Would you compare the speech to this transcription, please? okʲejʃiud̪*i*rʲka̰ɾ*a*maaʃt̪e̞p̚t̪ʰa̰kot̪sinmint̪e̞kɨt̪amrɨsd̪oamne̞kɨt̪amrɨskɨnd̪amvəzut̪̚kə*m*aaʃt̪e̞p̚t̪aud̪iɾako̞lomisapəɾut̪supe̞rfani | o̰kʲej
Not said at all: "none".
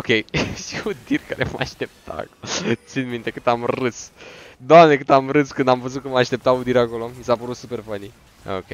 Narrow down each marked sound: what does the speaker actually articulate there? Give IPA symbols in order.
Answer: i, e, m

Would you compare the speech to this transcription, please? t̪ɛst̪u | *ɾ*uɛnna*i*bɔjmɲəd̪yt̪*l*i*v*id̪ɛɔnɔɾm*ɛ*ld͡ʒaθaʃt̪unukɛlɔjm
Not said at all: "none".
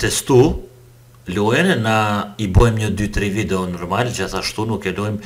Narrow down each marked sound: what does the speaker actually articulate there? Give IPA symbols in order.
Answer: l, i, ɾ, v, a

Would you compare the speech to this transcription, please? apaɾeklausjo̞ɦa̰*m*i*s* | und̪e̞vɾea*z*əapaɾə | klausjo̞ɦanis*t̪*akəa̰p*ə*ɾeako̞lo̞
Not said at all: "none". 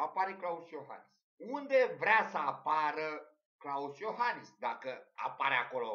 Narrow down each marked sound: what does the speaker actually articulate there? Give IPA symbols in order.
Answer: n, s, s, d̪, a

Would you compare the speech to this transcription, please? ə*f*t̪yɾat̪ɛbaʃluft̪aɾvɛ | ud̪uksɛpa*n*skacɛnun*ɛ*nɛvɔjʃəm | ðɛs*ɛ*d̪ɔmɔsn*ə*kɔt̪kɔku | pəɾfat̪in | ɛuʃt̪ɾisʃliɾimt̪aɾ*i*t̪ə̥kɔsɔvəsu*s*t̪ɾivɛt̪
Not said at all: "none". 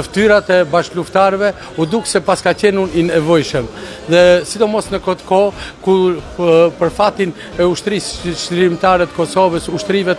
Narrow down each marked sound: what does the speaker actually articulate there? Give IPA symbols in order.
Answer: f, none, i, i, ə, ɛ, ʃ

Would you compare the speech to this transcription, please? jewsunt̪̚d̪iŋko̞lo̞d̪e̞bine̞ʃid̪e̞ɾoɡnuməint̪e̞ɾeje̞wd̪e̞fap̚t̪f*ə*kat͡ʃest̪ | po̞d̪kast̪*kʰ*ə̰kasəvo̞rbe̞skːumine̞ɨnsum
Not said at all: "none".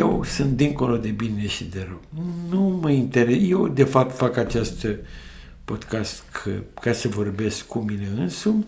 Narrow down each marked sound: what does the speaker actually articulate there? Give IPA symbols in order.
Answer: a, kʰ

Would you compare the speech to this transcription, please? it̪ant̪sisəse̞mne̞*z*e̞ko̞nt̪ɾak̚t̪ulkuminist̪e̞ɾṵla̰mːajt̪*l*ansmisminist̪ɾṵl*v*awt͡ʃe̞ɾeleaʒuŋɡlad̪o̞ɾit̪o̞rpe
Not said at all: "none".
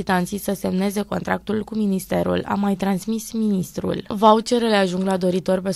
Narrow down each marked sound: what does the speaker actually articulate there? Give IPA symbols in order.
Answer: z, ɾ, v

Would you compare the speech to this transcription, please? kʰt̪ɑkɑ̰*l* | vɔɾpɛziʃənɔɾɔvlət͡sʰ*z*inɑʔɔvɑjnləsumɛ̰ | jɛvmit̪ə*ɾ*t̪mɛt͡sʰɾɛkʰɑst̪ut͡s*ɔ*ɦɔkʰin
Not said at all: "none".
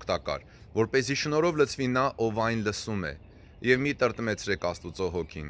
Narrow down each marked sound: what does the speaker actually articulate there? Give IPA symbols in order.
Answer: ɾ, v, ɾ, ɔ

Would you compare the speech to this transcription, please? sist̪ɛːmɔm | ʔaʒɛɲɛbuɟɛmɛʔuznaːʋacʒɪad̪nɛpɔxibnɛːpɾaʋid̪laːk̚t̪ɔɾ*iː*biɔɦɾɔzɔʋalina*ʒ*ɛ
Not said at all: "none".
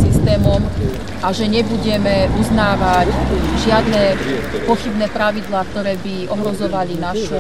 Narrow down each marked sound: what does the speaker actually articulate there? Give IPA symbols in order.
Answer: ɛː, ʃ

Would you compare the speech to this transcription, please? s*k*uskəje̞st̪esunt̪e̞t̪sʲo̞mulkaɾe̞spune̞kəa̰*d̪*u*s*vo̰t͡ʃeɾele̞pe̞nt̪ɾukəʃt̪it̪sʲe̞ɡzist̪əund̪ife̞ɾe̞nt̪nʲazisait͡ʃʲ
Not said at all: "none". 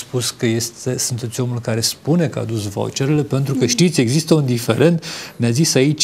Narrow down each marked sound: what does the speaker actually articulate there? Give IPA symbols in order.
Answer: p, d̪, s

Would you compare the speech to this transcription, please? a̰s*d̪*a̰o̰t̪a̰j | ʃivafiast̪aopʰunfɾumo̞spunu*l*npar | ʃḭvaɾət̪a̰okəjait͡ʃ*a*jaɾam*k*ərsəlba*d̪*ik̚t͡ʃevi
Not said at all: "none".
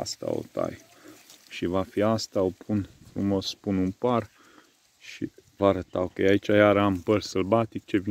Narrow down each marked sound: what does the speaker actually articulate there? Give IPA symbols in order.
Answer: t̪, none, a, p, t̪

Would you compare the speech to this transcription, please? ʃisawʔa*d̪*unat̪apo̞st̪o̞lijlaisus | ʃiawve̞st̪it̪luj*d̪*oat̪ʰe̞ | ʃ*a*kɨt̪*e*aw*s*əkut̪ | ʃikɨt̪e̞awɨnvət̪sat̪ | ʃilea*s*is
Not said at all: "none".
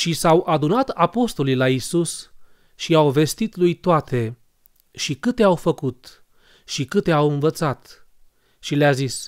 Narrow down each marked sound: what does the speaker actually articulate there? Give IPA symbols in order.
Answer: d̪, t̪, i, e, f, z

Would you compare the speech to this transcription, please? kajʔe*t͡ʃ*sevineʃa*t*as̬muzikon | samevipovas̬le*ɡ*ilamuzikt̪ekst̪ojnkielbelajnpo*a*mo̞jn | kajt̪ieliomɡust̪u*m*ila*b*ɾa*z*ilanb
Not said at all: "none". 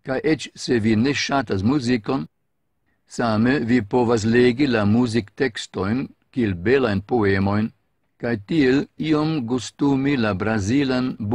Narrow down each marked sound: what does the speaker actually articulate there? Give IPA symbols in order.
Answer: t͡ʃ, t, ɡ, e, m, b, z

